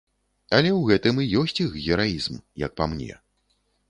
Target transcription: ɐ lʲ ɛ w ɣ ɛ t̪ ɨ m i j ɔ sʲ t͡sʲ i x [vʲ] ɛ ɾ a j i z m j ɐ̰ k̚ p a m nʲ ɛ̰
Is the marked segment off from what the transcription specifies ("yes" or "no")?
yes